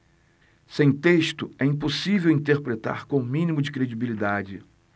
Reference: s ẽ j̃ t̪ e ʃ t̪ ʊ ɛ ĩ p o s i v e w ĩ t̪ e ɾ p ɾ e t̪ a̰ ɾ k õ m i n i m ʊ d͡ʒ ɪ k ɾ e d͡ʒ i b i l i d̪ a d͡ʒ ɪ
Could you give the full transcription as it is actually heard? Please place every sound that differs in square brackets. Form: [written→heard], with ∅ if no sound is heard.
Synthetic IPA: s ẽ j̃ t̪ e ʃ t̪ ʊ ɛ ĩ p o s i v e w ĩ t̪ e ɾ p ɾ e t̪ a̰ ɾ k õ m [i→ĩ] n i m ʊ d͡ʒ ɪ k ɾ e d͡ʒ i b i l i d̪ a d͡ʒ ɪ